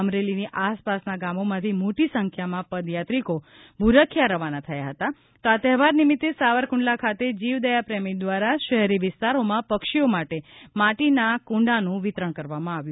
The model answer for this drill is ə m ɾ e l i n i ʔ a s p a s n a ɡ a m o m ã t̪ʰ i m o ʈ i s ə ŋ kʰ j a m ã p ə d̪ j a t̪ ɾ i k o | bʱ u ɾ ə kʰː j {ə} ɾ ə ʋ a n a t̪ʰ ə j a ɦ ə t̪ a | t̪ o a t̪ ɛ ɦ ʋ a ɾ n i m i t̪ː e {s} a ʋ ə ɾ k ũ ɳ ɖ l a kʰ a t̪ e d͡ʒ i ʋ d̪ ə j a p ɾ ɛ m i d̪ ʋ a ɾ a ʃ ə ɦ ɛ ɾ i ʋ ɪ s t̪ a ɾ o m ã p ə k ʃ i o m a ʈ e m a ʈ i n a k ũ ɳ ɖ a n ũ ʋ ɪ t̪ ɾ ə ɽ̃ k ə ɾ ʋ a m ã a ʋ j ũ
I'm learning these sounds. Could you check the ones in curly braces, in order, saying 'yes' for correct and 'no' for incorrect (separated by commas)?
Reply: no, yes